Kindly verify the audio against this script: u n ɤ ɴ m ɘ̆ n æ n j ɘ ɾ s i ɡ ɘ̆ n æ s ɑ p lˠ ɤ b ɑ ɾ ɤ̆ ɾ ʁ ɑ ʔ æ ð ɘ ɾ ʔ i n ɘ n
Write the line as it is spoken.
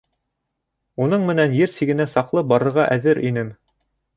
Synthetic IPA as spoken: u n ɤ ɴ m ɘ̆ n æ n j ɘ ɾ s i ɡ ɘ̆ n æ s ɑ q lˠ ɤ b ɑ ɾ ɤ̆ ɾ ʁ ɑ ʔ æ ð ɘ ɾ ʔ i n ɘ m